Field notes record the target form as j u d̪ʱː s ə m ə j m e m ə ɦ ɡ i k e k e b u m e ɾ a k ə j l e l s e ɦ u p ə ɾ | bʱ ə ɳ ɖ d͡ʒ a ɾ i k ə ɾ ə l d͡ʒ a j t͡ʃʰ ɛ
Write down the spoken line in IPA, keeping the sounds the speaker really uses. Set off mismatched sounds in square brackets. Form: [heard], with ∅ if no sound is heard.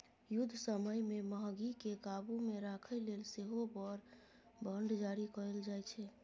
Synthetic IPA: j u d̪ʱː s ə m ə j m e m ə ɦ ɡ i k e k [a] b u m e ɾ a [kʰ] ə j l e l s e ɦ [o] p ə ɾ | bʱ ə ɳ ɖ d͡ʒ a ɾ i k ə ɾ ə l d͡ʒ a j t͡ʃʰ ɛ